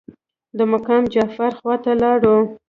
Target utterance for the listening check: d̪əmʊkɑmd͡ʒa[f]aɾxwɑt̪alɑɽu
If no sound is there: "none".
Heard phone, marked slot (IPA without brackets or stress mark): f